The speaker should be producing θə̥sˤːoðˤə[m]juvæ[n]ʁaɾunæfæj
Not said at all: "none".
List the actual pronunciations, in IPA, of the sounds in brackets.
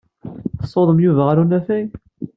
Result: m, none

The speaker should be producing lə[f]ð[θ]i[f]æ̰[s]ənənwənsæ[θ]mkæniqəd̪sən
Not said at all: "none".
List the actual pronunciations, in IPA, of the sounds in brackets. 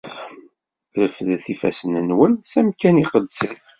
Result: f, θ, f, s, none

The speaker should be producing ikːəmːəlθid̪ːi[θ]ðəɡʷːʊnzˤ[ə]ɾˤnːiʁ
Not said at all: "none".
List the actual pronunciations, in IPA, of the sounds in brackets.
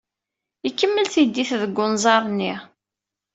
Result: θ, ɑ

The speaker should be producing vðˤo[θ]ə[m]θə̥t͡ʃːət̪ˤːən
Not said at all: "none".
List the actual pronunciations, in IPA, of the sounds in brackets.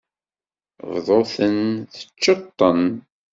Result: θ, n

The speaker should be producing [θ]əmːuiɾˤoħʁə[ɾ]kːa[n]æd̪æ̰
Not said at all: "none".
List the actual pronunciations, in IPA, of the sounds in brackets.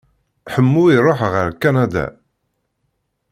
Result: ħ, ɾ, n

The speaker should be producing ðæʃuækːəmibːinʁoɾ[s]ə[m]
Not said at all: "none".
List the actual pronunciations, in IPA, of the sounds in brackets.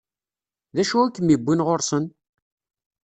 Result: s, n

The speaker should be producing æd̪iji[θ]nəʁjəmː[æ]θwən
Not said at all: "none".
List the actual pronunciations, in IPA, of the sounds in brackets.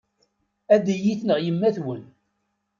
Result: θ, æ

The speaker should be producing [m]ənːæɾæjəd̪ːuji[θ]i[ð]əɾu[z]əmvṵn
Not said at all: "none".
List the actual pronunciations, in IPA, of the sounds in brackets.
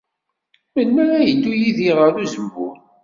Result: m, ð, ʁ, z

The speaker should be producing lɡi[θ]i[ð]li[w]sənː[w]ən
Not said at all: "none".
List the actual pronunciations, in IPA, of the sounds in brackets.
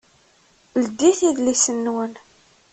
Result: θ, ð, none, w

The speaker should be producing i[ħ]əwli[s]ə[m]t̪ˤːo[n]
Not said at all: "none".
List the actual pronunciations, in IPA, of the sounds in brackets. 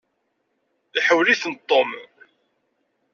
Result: ħ, θ, n, m

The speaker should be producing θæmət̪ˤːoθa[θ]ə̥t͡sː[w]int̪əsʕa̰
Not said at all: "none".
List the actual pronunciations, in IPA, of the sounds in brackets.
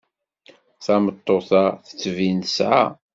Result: θ, v

